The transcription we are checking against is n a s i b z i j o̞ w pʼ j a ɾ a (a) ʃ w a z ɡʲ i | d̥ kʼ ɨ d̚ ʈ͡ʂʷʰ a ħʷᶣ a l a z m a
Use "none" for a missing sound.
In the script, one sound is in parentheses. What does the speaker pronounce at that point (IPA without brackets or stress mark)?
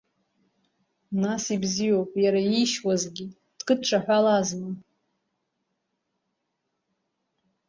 i